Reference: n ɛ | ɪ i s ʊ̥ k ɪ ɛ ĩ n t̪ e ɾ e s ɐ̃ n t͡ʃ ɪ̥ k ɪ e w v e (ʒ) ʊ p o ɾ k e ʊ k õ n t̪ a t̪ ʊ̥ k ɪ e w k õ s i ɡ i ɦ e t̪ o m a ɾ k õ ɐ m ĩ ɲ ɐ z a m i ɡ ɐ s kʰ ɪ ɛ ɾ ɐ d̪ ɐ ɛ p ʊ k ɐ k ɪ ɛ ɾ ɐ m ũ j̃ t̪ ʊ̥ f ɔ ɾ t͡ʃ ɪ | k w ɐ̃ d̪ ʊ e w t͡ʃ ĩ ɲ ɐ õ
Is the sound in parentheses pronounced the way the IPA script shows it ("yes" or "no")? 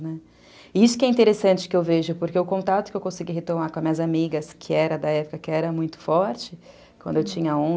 yes